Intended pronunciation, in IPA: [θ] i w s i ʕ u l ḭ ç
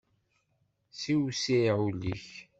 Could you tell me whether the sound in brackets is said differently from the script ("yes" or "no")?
yes